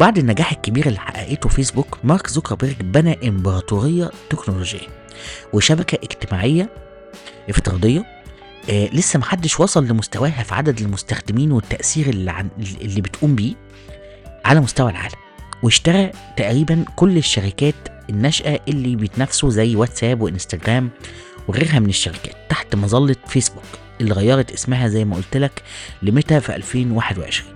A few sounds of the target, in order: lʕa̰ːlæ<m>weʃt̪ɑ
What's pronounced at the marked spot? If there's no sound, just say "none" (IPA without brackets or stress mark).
m